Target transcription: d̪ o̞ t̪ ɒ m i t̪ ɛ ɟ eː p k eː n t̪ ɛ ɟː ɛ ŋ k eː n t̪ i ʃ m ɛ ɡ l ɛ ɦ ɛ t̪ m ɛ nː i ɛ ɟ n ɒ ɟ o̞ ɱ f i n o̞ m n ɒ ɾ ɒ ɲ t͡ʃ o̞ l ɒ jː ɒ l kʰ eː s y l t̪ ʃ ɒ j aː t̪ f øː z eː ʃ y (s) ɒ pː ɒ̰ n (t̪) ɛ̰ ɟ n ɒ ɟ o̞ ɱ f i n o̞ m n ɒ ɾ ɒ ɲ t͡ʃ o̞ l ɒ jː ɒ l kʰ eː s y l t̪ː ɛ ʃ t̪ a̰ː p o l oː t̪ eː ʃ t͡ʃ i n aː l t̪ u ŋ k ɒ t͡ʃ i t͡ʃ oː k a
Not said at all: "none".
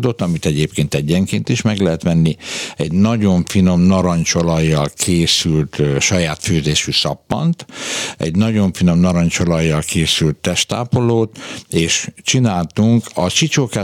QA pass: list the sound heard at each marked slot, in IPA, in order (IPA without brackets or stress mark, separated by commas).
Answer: s, t̪